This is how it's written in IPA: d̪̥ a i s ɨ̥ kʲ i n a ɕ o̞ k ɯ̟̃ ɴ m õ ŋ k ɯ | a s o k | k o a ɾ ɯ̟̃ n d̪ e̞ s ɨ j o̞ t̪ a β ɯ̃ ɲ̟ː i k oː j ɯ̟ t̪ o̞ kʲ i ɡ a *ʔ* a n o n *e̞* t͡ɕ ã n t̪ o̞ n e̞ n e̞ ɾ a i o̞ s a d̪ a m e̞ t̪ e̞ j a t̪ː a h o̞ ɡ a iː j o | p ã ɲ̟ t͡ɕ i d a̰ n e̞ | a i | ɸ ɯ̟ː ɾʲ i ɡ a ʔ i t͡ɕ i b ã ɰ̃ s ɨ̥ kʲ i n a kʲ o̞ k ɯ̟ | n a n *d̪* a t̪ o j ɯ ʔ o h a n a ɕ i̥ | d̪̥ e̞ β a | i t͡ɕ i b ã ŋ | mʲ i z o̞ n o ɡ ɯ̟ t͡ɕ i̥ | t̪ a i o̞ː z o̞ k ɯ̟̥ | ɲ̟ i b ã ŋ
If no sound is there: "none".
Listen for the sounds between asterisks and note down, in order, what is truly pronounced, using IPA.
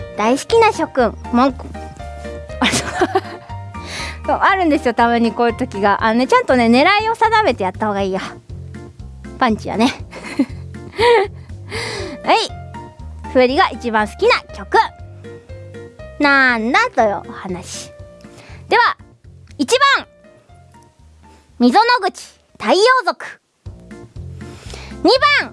ʔ, e̞, d̪

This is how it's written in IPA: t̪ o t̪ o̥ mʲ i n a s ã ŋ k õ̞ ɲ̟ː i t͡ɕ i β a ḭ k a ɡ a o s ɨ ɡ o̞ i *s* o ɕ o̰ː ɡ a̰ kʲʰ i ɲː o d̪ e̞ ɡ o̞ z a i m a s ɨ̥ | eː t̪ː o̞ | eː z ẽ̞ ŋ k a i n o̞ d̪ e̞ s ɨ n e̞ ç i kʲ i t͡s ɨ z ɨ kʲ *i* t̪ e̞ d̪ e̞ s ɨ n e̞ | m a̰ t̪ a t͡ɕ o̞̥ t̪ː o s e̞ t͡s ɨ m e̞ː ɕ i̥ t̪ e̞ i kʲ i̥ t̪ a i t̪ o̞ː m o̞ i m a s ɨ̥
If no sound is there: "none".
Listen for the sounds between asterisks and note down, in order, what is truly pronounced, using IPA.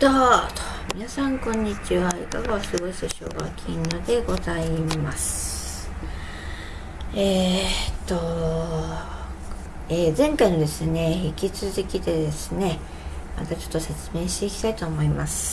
s, i

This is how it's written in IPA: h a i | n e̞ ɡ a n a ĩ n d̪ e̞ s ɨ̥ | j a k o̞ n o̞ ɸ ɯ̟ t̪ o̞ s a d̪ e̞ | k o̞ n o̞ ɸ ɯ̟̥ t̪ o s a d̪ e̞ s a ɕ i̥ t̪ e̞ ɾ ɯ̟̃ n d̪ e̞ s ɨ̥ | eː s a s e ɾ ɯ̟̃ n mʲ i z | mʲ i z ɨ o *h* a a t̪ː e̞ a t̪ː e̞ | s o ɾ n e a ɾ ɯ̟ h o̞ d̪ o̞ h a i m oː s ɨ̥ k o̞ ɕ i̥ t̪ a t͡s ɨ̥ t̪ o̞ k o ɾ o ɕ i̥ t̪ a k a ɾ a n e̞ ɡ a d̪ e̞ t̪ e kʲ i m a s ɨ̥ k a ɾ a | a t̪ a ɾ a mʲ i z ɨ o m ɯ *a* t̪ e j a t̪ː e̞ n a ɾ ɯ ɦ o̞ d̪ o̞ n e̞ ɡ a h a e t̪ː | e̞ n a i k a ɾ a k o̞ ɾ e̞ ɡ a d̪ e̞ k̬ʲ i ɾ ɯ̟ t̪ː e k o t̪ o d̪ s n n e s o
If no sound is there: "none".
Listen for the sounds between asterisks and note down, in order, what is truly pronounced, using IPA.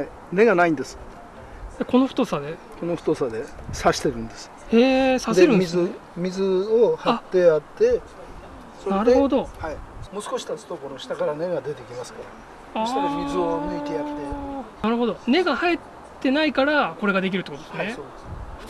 h, i

